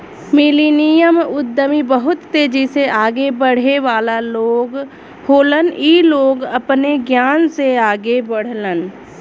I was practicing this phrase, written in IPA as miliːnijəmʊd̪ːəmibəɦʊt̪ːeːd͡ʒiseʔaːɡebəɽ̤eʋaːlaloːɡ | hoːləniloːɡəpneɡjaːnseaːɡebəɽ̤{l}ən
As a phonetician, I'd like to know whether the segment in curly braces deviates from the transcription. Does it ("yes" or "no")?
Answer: no